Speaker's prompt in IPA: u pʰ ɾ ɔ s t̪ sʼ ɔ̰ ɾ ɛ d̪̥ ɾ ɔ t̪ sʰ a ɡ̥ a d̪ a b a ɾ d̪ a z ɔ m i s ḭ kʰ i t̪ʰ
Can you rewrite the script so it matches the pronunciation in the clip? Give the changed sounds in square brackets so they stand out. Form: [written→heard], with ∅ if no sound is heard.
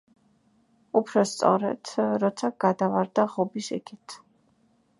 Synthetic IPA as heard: u pʰ ɾ ɔ s t̪ sʼ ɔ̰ ɾ ɛ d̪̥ ɾ ɔ t̪ sʰ a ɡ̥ a d̪ a [b→v] a ɾ d̪ a [z→ʁ] ɔ [m→b] i s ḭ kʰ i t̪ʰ